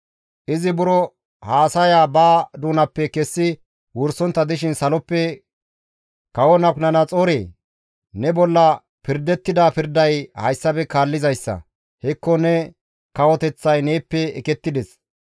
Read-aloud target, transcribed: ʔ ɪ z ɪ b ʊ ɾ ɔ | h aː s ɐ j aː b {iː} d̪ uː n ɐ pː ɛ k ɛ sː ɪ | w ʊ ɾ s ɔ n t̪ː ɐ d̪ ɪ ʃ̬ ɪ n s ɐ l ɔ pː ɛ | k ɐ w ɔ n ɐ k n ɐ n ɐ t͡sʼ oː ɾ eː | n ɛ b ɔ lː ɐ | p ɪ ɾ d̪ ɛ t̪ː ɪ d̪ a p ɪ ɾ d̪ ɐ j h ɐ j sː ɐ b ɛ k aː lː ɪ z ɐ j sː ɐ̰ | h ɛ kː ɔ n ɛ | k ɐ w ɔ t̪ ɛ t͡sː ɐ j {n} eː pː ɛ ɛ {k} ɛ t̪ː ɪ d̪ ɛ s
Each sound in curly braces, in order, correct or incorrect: incorrect: aː, correct, correct

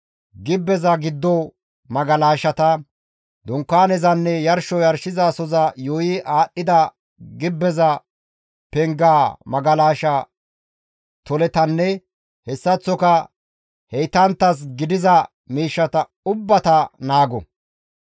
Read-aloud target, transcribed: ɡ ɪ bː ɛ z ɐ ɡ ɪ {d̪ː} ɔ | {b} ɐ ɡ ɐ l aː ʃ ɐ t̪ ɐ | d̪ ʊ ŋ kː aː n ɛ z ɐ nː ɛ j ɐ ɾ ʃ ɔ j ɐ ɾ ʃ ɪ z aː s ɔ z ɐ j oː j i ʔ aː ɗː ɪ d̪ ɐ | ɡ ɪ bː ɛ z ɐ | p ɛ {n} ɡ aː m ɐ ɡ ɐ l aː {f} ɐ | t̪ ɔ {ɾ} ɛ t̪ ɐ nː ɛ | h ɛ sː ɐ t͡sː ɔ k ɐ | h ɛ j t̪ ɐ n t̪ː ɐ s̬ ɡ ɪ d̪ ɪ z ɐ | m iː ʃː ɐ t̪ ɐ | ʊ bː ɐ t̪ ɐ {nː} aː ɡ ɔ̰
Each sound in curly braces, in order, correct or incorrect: correct, incorrect: m, incorrect: ŋ, incorrect: ʃ, incorrect: l, incorrect: n

